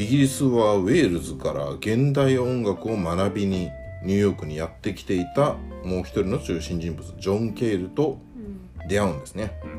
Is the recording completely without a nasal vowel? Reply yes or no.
no